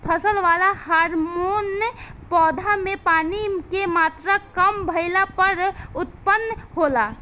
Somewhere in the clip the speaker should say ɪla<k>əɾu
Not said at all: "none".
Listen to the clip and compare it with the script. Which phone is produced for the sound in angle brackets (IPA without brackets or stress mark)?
p